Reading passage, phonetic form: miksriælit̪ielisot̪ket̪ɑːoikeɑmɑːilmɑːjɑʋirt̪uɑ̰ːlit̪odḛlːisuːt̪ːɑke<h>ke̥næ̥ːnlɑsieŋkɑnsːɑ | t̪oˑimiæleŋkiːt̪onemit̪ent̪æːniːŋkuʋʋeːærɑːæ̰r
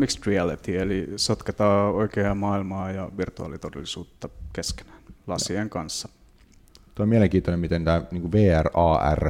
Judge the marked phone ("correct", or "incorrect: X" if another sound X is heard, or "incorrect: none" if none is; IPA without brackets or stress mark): incorrect: s